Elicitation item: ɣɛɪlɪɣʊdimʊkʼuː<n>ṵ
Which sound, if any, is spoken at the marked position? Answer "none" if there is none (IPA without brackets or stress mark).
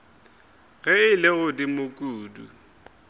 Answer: d